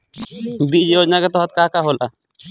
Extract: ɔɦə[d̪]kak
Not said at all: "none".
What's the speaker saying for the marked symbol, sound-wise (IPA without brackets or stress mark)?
t̪